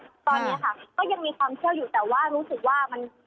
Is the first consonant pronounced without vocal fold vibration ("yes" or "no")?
yes